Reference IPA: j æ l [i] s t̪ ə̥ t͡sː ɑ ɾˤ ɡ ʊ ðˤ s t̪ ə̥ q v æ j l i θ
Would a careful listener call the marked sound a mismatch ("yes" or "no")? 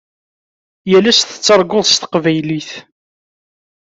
yes